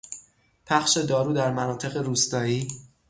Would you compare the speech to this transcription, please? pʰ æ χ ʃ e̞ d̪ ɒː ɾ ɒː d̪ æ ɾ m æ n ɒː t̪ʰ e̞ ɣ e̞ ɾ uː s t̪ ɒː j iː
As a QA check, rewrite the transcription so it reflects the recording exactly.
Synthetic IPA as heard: pʰ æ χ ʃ e̞ d̪ ɒː ɾ uː d̪ æ ɾ m æ n ɒː t̪ʰ e̞ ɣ e̞ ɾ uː s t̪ ɒː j iː

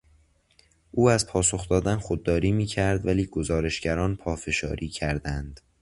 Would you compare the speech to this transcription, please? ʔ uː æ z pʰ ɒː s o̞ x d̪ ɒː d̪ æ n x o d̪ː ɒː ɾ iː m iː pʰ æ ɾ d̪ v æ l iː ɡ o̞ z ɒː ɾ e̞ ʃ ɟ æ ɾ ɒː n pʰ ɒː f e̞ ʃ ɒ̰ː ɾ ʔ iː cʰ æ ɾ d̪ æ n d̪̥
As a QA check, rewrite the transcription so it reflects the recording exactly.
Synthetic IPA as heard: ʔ uː æ z pʰ ɒː s o̞ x d̪ ɒː d̪ æ n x o d̪ː ɒː ɾ iː m iː cʰ æ ɾ d̪ v æ l iː ɡ o̞ z ɒː ɾ e̞ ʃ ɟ æ ɾ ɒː n pʰ ɒː f e̞ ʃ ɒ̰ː ɾ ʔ iː cʰ æ ɾ d̪ æ n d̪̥

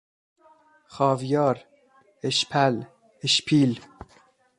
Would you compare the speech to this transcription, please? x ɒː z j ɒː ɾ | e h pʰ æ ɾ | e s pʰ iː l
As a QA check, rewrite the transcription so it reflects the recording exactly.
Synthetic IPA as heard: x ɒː v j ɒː ɾ | e ʃ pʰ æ l | e ʃ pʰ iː l

